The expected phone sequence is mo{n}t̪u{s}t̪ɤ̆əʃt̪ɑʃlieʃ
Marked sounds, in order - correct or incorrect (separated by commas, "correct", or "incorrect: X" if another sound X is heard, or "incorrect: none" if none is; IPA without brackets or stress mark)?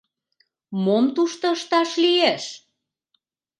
incorrect: m, incorrect: ʃ